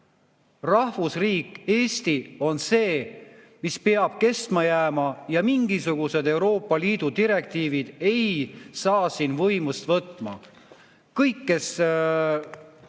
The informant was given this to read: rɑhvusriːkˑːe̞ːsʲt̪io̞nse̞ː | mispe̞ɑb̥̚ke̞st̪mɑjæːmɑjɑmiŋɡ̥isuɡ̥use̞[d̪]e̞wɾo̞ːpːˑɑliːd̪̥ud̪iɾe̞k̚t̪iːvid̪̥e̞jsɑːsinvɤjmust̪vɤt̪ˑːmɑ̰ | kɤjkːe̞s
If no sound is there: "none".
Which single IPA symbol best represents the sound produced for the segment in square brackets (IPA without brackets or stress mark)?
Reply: d̪